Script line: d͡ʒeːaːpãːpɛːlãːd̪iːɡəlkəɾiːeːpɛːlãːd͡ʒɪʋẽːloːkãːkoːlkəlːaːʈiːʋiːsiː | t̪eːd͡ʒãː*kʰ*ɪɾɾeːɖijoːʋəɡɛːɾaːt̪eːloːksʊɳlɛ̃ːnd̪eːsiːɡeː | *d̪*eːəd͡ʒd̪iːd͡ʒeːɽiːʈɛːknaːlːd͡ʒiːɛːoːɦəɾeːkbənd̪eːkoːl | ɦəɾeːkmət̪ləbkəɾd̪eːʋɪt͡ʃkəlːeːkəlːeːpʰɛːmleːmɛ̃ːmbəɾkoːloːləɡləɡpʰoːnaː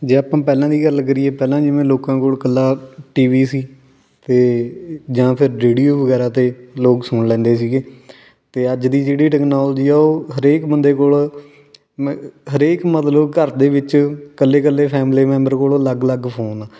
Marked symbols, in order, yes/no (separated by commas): no, no